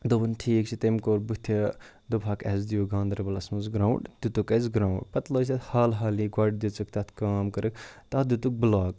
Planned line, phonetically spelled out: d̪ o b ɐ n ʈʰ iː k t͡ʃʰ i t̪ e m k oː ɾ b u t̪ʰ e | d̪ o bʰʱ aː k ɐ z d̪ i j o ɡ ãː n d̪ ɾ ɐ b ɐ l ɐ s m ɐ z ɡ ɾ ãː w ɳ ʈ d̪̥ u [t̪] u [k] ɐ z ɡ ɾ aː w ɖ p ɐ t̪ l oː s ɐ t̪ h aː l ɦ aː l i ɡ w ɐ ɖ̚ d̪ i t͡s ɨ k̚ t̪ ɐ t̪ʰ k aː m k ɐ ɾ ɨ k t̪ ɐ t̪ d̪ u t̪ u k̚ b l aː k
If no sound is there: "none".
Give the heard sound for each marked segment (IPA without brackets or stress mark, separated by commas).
t̪, k